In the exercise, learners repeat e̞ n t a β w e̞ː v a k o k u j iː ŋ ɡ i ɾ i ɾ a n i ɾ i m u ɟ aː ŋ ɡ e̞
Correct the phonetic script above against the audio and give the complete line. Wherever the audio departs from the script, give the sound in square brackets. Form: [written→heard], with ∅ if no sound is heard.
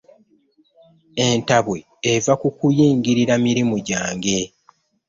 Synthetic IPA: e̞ n t a β w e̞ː v a k [o→u] k u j iː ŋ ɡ i ɾ i ɾ a [n→m] i ɾ i m u ɟ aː ŋ ɡ e̞